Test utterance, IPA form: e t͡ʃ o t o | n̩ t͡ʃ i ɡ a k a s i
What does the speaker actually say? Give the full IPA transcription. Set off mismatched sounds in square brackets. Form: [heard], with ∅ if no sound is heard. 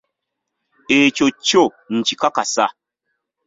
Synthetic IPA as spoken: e t͡ʃ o [t͡ʃ] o | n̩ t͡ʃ i [k] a k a s [a]